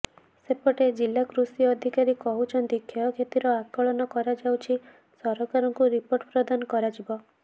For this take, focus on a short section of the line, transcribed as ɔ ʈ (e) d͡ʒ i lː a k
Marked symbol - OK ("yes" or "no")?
yes